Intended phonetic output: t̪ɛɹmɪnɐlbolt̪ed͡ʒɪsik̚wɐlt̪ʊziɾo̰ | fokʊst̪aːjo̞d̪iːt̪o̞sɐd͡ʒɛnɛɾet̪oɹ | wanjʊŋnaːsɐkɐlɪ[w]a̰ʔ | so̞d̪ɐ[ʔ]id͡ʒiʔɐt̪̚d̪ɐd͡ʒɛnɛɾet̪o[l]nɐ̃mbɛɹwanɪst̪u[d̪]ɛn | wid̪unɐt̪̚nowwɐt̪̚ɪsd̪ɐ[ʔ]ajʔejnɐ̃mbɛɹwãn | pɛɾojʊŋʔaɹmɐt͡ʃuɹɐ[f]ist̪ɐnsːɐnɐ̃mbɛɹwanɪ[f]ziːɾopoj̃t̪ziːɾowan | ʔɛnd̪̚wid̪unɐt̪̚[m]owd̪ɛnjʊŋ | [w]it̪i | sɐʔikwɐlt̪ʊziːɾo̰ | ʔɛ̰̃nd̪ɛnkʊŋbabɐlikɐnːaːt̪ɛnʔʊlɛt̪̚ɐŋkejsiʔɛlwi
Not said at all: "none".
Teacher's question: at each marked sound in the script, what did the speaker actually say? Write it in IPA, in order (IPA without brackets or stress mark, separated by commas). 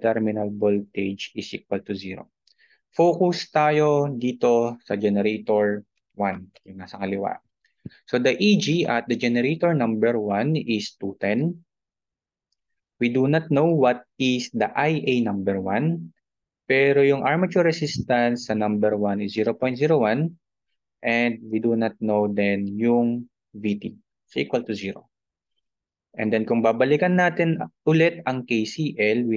w, ʔ, ɹ, t̪, ʔ, s, s, n, v